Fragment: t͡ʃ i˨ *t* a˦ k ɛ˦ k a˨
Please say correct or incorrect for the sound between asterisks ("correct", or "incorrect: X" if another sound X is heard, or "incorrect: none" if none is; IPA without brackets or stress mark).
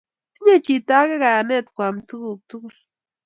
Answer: correct